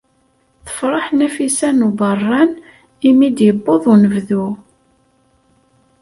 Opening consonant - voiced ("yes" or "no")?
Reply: no